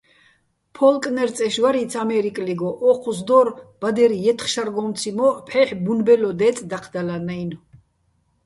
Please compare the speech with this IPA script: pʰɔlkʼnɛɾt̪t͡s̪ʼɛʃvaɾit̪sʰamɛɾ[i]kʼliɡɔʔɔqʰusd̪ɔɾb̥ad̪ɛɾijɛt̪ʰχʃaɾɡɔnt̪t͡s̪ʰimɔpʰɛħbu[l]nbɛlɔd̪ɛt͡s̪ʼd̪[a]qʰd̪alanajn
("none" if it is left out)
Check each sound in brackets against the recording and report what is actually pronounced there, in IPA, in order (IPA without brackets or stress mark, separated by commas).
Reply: i, none, a